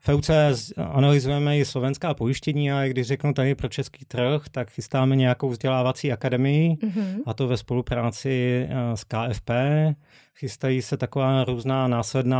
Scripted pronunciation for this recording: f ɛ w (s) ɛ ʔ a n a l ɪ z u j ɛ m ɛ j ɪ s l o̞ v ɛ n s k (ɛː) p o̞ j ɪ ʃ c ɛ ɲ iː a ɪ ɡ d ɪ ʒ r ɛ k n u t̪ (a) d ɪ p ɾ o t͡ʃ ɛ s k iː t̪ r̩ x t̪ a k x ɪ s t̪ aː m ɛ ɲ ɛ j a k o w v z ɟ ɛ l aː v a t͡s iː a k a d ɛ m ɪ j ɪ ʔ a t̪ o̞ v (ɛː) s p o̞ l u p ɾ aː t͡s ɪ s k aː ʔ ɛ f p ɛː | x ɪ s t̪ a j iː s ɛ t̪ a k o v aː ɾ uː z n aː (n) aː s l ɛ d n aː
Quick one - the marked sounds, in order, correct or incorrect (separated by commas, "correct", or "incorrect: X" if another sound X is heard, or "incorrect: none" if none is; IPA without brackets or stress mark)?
incorrect: t͡s, incorrect: aː, correct, incorrect: ɛ, correct